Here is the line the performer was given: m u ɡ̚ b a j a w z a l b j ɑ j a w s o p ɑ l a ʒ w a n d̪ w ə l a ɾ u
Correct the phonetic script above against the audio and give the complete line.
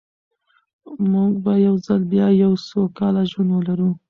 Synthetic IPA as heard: m u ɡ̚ b a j a w z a l b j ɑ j a w s o k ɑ l a ʒ w a n d̪ w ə l a ɾ u